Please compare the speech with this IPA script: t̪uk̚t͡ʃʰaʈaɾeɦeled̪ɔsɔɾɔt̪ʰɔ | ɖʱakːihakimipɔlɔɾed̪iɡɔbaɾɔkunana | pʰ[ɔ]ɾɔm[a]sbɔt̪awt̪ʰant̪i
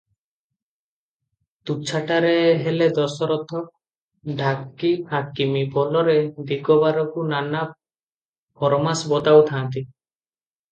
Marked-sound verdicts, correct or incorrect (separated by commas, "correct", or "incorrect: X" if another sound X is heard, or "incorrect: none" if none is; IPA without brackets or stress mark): correct, correct